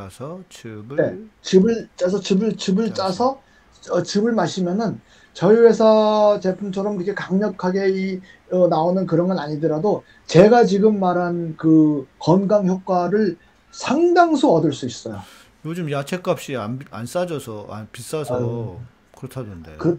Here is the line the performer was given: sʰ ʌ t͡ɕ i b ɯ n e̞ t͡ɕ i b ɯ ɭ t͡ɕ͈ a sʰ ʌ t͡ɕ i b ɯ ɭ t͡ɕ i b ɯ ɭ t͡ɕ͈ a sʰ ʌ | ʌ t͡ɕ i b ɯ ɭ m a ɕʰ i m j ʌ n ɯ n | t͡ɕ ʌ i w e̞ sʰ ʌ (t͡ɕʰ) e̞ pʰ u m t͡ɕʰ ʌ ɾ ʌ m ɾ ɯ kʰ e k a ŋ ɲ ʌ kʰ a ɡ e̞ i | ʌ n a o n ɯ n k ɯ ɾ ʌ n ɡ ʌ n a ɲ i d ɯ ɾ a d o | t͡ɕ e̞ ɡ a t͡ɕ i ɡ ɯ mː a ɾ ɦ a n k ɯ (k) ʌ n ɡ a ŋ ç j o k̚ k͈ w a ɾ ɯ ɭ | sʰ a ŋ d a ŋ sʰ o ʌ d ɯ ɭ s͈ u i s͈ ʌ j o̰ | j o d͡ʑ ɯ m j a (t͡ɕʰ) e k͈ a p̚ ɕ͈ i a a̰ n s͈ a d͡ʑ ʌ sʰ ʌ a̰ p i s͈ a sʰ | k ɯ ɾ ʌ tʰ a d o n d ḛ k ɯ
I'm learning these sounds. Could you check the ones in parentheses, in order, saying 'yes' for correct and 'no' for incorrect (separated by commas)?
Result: no, yes, yes